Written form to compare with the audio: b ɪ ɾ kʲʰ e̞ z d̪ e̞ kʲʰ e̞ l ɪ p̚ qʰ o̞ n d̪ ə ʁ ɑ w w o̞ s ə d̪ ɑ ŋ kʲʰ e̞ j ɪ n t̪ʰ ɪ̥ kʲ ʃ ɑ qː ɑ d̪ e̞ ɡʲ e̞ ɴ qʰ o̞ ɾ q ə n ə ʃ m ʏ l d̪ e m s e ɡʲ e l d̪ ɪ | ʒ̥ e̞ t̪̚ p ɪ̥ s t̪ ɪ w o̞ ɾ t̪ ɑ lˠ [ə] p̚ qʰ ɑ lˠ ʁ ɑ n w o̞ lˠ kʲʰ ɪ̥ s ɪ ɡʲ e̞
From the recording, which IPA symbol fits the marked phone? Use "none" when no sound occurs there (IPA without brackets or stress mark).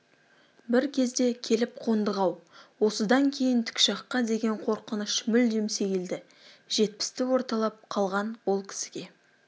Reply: ɑ